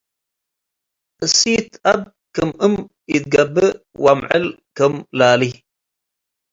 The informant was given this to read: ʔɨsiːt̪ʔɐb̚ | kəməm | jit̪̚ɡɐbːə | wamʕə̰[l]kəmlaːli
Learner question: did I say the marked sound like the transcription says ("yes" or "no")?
yes